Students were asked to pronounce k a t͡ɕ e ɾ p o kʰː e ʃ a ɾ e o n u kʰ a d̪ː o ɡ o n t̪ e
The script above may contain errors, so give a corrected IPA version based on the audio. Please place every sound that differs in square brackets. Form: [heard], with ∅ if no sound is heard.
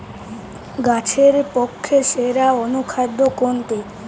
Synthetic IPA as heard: [ɡ] a [t͡ɕʰ] e ɾ p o kʰː e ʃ [e] ɾ [a] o n u kʰ a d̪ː o [k] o n t̪ e

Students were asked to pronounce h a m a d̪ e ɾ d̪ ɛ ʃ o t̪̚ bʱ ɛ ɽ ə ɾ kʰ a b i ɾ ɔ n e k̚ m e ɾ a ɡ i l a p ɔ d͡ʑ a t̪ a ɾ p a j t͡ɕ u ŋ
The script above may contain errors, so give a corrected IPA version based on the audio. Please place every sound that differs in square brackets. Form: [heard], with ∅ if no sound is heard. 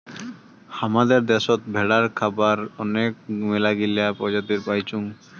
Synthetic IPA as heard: h a m a d̪ e ɾ d̪ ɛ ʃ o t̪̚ bʱ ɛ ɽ [a] ɾ kʰ a b [a] ɾ ɔ n e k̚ m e [l] a ɡ i l a p ɔ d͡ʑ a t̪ [i] ɾ p a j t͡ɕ u ŋ

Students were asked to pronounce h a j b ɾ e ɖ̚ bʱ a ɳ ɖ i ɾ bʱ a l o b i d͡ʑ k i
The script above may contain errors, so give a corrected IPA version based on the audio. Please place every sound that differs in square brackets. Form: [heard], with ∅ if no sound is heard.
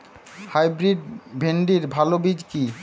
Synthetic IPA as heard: h a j b ɾ [i] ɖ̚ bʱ [e] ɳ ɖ i ɾ bʱ a l o b i d͡ʑ k i

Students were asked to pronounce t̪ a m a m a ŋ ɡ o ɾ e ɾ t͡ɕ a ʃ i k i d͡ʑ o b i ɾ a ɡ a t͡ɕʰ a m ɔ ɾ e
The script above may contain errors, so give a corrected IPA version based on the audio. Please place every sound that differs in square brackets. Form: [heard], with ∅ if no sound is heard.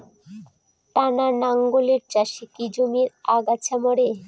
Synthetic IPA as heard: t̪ a [n] a [n] a ŋ ɡ o [l] e ɾ t͡ɕ a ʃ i k i d͡ʑ o [m] i ɾ a ɡ a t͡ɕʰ a m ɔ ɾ e

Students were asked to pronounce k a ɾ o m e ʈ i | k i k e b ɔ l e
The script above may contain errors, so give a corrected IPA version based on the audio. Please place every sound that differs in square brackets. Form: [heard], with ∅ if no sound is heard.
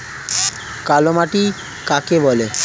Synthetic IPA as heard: k a [l] o m [a] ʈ i | k [a] k e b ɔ l e

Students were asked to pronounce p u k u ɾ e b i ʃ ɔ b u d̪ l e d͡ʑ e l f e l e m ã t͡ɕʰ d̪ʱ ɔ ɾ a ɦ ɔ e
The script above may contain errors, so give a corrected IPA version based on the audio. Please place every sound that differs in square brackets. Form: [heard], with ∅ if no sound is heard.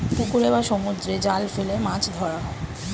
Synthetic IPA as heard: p u k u ɾ e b [a] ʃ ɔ [m] u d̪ [ɾ] e d͡ʑ [a] l f e l e m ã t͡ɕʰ d̪ʱ ɔ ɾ a ɦ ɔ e

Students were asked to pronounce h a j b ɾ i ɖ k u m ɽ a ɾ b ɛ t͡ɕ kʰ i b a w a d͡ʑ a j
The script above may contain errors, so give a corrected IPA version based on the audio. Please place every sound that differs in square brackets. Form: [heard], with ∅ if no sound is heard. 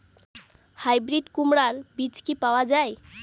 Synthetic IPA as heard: h a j b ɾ i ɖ k u m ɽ a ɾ b [i] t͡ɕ [k] i [p] a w a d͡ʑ a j

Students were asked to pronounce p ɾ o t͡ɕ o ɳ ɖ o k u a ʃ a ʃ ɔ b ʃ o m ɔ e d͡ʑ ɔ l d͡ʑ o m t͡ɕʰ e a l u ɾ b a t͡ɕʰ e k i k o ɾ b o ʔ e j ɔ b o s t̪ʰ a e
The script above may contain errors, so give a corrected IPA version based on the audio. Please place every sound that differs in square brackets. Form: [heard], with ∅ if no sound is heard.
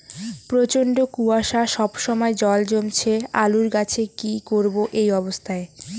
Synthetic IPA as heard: p ɾ o t͡ɕ o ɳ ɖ o k u a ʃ a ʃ ɔ b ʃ [ɔ] m ɔ e d͡ʑ ɔ l d͡ʑ o m t͡ɕʰ e a l u ɾ [ɡ] a t͡ɕʰ e k i k o ɾ b o ʔ e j ɔ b o s t̪ʰ a e

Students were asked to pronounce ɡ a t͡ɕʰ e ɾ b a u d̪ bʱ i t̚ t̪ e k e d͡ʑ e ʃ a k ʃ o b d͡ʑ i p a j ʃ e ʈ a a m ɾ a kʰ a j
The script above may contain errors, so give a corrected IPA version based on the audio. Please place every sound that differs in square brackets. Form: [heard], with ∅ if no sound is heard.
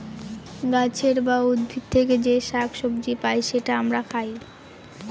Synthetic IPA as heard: ɡ a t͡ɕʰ e ɾ b a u d̪ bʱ i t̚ [t̪ʰ] e k e d͡ʑ e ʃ a k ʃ o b d͡ʑ i p a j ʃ e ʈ a a m ɾ a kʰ a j

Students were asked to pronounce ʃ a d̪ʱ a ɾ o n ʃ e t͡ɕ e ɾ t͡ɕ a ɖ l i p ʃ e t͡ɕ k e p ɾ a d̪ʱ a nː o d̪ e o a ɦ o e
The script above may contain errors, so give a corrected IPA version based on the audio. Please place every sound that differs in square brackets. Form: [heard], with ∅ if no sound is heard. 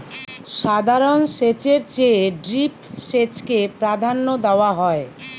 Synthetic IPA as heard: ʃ a d̪ʱ a ɾ o n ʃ e t͡ɕ e ɾ t͡ɕ [e] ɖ [ɾ] i p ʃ e t͡ɕ k e p ɾ a d̪ʱ a nː o d̪ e o a ɦ [ɔ] e

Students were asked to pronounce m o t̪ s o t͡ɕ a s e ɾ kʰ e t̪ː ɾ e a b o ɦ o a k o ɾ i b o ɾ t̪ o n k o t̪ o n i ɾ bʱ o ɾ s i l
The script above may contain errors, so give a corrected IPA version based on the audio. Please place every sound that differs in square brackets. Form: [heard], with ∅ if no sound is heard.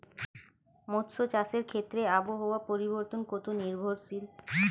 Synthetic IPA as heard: m o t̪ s o t͡ɕ a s e ɾ kʰ e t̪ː ɾ e a b o ɦ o a [p] o ɾ i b o ɾ t̪ o n k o t̪ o n i ɾ bʱ o ɾ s i l

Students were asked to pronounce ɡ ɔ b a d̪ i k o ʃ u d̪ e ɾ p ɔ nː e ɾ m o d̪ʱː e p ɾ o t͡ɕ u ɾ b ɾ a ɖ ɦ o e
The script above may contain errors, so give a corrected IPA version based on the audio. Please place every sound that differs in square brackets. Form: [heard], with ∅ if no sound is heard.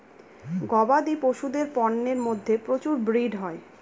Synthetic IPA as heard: ɡ ɔ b a d̪ i [p] o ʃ u d̪ e ɾ p ɔ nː e ɾ m o d̪ʱː e p ɾ o t͡ɕ u ɾ b ɾ [i] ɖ ɦ [ɔ] e

